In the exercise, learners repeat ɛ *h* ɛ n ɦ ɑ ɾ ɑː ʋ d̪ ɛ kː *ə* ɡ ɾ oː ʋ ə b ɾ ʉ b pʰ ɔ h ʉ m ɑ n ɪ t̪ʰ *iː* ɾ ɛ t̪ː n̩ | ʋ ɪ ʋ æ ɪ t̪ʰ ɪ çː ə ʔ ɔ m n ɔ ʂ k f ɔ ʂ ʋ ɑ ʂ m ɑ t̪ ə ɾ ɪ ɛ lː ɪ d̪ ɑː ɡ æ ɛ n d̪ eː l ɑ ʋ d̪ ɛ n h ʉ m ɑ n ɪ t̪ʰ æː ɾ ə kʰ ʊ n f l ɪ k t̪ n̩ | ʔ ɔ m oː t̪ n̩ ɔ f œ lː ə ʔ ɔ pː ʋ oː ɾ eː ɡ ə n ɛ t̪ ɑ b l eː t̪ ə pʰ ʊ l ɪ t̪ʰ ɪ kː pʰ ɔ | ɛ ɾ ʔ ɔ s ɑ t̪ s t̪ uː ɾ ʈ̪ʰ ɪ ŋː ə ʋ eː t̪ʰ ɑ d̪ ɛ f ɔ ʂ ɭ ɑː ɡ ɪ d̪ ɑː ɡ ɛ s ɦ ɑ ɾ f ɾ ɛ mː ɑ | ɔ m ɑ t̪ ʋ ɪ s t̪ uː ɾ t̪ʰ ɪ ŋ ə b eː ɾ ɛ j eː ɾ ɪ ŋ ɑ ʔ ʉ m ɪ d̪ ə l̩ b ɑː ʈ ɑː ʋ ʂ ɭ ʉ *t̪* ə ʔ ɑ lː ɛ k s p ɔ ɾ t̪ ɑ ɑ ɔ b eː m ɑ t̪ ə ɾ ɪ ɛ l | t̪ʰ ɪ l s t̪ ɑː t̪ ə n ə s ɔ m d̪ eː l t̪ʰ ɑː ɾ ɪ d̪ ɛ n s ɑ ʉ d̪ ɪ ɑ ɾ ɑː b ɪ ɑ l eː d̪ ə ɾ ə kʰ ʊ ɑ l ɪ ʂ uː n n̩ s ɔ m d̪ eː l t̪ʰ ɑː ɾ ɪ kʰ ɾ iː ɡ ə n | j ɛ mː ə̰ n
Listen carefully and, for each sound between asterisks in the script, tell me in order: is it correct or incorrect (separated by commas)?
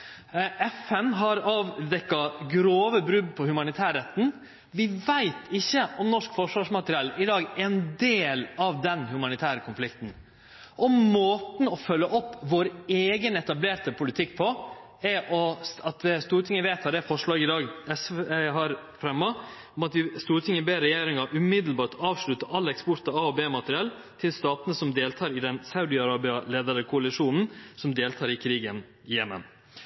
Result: incorrect, incorrect, incorrect, correct